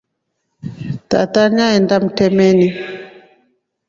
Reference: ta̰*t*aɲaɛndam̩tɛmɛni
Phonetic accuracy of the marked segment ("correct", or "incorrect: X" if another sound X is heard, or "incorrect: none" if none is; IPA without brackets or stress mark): correct